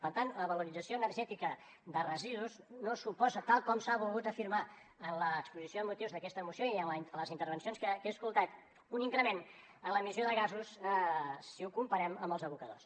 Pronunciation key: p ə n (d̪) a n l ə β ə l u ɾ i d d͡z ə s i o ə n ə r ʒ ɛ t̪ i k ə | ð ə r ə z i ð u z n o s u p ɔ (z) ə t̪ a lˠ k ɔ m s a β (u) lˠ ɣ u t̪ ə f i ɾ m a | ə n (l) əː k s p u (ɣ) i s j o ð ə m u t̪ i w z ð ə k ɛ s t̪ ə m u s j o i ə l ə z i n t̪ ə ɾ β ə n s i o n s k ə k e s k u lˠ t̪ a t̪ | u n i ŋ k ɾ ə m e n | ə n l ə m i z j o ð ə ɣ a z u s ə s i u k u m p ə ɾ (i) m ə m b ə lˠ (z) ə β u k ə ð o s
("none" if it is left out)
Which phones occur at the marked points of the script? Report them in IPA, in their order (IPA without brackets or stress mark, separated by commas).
t̪, z, u, l, z, ɛ, z